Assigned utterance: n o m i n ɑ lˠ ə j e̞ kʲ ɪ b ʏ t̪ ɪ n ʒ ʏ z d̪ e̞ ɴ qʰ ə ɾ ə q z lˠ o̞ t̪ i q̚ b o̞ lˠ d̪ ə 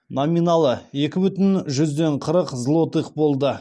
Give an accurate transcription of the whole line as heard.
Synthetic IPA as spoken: n o m i n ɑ lˠ ə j e̞ kʲ ɪ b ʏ t̪ ɪ n ʒ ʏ z d̪ e̞ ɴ qʰ ə ɾ ə q z lˠ o̞ t̪ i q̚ b o̞ lˠ d̪ ə